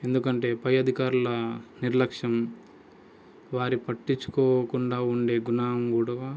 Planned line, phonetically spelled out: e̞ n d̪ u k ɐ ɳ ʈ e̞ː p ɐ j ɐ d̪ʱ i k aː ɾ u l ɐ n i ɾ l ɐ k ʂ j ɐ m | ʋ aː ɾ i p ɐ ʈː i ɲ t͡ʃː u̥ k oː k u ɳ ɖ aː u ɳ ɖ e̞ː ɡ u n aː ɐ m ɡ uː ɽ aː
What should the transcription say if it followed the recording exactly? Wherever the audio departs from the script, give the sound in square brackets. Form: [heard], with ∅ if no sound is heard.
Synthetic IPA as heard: e̞ n d̪ u k ɐ ɳ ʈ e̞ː p ɐ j ɐ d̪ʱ i k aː ɾ u l ɐ n i ɾ l ɐ k ʂ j ɐ m | ʋ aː ɾ i p ɐ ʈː i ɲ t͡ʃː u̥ k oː k u ɳ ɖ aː u ɳ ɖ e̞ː ɡ u n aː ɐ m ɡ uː ɽ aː